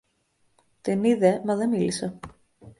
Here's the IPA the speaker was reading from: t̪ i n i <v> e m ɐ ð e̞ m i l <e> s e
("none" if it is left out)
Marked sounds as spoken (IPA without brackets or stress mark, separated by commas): ð, i